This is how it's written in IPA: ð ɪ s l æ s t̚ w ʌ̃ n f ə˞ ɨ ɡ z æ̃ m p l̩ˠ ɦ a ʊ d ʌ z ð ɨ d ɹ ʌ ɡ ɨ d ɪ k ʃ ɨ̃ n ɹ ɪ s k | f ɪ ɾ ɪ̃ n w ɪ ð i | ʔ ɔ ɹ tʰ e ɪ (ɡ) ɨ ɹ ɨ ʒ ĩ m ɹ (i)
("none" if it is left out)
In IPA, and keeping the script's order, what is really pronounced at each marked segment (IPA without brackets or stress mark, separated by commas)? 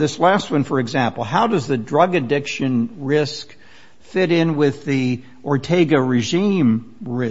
ɡ, ɪ